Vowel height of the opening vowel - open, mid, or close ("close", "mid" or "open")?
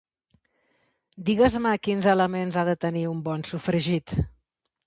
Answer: close